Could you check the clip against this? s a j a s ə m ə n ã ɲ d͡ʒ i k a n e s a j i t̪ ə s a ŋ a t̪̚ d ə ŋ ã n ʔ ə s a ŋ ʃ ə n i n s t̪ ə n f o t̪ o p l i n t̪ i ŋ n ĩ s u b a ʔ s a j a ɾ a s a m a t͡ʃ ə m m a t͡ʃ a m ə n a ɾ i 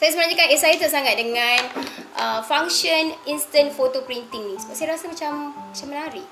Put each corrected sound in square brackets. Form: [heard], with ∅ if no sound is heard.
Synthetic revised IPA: s a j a s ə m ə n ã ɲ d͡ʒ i k a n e s a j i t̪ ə s a ŋ a t̪̚ d ə ŋ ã n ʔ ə [f] a ŋ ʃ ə n i n s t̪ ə n f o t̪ o p [ɾ] i n t̪ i ŋ n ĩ s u b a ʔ s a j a ɾ a s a m a t͡ʃ [a] m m a t͡ʃ a m ə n a ɾ i

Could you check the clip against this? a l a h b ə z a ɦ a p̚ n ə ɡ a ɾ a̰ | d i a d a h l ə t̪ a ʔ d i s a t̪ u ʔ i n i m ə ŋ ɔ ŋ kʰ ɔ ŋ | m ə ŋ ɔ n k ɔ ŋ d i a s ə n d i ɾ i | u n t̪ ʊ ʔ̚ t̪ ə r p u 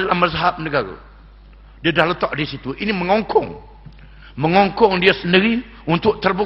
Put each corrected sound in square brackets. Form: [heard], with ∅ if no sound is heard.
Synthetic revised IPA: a l a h [m] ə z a ɦ a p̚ n ə ɡ a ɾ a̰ | d i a d a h l ə t̪ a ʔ d i s [i] t̪ u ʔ i n i m ə ŋ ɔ ŋ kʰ ɔ ŋ | m ə ŋ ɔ [ŋ] k ɔ ŋ d i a s ə n d i ɾ i | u n t̪ ʊ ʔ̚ t̪ ə r [b] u

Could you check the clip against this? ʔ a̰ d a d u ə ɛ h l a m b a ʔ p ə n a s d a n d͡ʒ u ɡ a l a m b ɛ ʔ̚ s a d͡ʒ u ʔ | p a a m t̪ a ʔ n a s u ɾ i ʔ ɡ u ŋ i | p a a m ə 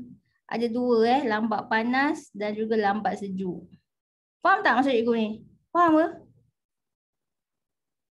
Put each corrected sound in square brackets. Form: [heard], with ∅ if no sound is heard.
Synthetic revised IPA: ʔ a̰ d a d u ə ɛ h l a m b a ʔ p [a] n a s d a n d͡ʒ u ɡ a l a m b [a] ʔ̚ s [ə] d͡ʒ u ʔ | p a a m t̪ a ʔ [m] a s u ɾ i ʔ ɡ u [n] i | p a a m ə

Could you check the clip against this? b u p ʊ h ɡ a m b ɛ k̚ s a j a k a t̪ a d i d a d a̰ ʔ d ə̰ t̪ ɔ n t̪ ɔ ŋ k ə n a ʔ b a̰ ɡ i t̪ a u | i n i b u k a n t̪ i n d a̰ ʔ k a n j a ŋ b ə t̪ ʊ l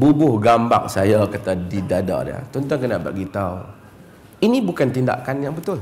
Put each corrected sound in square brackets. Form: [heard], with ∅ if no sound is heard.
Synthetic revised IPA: b u [b] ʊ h ɡ a m b [a] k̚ s a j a k a t̪ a d i d a d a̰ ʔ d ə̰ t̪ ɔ n t̪ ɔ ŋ k ə n a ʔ b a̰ ɡ i t̪ a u | i n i b u k a n t̪ i n d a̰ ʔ k a n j a ŋ b ə t̪ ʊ l

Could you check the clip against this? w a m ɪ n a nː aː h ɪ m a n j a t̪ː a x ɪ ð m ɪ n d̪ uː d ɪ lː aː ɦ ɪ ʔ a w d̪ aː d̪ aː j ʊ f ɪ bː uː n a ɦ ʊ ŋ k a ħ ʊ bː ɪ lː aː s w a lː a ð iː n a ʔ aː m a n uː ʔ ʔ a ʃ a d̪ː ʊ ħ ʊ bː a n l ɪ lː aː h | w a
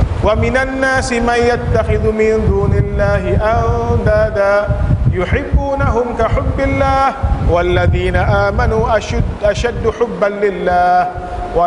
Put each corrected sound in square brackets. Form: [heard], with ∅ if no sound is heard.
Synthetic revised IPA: w a m ɪ n a nː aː [s] ɪ m a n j a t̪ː a x ɪ ð m ɪ n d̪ uː [n] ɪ lː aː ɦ ɪ ʔ a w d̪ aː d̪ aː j ʊ [ħ] ɪ bː uː n a ɦ ʊ [m] k a ħ ʊ bː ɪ lː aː [h] w a lː a ð iː n a ʔ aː m a n uː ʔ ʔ a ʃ a d̪ː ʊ ħ ʊ bː a n l ɪ lː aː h | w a

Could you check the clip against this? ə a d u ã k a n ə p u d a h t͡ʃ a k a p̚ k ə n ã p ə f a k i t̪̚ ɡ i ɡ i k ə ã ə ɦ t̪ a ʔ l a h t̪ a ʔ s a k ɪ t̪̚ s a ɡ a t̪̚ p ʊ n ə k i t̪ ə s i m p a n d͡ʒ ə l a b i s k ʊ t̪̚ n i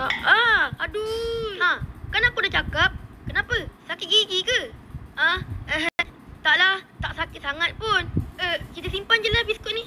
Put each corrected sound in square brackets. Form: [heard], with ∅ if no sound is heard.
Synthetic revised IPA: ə a d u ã k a n [a] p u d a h t͡ʃ a k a p̚ k ə n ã p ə [s] a k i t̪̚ ɡ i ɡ i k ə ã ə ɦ t̪ a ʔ l a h t̪ a ʔ s a k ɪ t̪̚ s a [ŋ] a t̪̚ p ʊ n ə k i t̪ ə s i m p a n d͡ʒ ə l a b i s k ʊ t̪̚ n i

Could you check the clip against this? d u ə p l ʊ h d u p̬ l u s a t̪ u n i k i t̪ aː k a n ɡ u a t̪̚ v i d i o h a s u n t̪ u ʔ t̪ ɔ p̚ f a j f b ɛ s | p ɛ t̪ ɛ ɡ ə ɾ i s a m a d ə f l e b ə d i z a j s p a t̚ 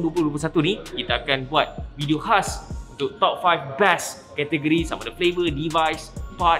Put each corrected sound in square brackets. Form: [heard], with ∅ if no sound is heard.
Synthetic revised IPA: d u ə p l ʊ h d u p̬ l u s a t̪ u n i k i t̪ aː k a n [b] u a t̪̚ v i d i o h a s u n t̪ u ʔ t̪ ɔ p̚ f a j f b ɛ s | [k] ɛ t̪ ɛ ɡ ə ɾ i s a m a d ə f l e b ə d i [v] a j s p a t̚

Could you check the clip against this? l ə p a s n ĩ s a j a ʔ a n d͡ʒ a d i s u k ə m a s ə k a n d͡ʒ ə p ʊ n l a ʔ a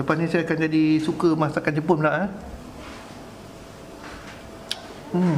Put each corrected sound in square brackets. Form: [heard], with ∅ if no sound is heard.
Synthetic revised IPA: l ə p a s n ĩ s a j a [k] a n d͡ʒ a d i s u k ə m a s [a] k a n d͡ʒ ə p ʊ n l a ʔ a

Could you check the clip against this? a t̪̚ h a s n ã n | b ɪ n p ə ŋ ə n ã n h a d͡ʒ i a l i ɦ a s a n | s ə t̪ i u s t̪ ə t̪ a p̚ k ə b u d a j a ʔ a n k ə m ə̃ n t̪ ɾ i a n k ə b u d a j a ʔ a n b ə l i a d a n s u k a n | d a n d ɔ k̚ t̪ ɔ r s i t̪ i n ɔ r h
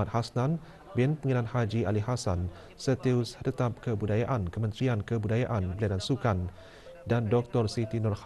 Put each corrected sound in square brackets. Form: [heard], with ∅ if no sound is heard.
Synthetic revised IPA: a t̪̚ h a s n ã n | b ɪ n p ə ŋ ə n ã n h a d͡ʒ i a l i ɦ a s a n | s ə t̪ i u s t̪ ə t̪ a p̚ k ə b u d a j a ʔ a n k ə m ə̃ n t̪ ɾ i a n k ə b u d a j a ʔ a n b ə l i a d a n s u k a n | d a n d ɔ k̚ t̪ ɔ r s i t̪ i n ɔ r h

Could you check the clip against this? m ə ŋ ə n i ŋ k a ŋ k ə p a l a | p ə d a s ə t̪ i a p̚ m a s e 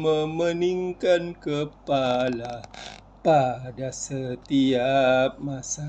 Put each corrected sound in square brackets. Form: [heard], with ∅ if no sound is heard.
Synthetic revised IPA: m ə [m] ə n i ŋ k a [n] k ə p a l a | p [a] d a s ə t̪ i a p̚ m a s [a]

